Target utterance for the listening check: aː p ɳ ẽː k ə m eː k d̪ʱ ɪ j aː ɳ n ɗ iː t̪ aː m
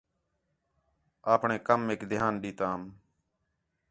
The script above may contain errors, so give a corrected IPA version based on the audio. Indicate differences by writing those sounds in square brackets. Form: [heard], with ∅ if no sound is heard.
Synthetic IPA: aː p ɳ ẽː k ə m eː k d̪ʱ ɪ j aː [∅] n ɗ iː t̪ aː m